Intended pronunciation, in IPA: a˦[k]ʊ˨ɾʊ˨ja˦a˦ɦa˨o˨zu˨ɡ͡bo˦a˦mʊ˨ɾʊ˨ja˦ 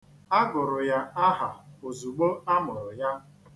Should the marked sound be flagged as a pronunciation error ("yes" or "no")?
yes